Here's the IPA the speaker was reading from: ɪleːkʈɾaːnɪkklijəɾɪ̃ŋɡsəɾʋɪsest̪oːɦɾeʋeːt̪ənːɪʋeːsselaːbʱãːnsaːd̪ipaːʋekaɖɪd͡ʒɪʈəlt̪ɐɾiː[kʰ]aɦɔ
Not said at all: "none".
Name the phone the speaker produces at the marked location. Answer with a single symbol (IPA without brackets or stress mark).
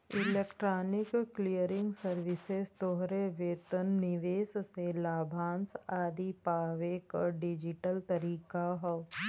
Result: k